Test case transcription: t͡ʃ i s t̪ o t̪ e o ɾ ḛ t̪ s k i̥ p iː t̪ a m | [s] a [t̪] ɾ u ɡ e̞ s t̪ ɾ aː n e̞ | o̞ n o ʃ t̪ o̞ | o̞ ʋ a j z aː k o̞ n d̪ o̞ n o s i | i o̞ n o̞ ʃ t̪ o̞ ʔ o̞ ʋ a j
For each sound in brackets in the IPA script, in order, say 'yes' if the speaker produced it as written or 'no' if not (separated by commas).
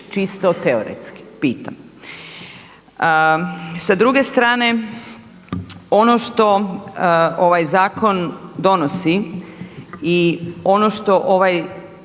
yes, no